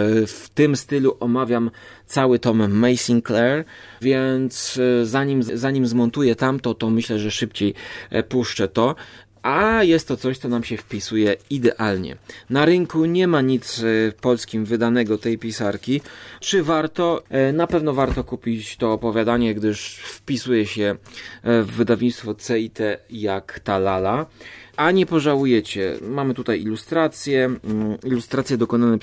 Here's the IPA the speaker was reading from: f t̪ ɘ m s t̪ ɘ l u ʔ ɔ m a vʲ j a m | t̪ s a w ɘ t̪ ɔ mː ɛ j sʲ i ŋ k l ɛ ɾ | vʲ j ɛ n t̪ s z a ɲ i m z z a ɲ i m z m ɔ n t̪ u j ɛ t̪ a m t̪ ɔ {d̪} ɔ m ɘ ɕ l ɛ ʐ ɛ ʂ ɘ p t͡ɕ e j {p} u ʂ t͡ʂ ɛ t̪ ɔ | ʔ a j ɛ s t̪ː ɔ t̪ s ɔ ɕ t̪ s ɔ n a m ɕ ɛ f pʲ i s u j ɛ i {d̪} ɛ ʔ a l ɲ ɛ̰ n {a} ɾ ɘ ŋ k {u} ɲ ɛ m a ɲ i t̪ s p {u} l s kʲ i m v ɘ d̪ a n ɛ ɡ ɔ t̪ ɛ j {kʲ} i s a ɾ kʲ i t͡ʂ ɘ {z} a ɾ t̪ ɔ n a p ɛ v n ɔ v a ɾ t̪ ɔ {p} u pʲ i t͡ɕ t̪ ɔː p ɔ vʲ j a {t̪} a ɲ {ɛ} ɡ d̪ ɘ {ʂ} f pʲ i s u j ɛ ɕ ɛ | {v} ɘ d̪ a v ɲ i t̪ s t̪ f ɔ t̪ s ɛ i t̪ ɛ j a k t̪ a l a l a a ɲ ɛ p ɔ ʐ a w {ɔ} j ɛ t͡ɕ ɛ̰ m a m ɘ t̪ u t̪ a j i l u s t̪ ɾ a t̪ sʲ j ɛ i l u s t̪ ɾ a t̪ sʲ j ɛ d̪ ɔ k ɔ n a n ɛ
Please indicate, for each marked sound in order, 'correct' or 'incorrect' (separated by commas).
incorrect, correct, correct, correct, correct, incorrect, incorrect, incorrect, incorrect, incorrect, correct, correct, incorrect, incorrect